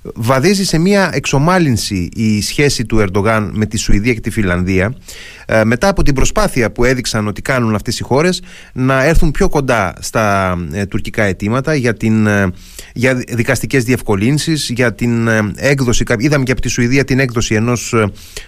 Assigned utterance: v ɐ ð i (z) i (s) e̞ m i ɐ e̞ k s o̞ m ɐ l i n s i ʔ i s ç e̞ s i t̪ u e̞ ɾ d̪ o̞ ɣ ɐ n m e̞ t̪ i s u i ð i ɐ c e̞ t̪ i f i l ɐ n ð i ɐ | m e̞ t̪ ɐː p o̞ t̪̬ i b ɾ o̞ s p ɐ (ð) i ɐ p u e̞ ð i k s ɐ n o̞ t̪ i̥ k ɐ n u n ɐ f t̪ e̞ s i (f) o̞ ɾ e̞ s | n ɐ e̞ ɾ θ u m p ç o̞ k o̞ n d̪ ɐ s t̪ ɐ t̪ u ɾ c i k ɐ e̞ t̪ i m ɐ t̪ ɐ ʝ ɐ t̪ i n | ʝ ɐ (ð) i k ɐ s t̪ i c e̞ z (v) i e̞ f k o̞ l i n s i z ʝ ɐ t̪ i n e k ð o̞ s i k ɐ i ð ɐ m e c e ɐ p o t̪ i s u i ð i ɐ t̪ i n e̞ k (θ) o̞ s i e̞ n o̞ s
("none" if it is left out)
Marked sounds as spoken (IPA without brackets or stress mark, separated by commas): z, s, θ, x, ð, ð, ð